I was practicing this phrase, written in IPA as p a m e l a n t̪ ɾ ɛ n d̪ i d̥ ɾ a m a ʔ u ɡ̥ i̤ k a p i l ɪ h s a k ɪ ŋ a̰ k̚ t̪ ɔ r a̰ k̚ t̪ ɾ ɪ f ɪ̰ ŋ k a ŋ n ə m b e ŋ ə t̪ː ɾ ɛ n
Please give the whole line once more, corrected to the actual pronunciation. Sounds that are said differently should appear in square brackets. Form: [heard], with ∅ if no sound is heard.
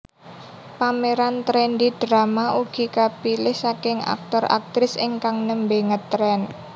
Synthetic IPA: p a m e [ɾ] a n t̪ ɾ ɛ n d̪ i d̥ ɾ a m a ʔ u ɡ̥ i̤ k a p i l ɪ h s a k ɪ ŋ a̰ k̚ t̪ ɔ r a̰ k̚ t̪ ɾ ɪ [s] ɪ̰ ŋ k a ŋ n ə m b e ŋ ə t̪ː ɾ ɛ n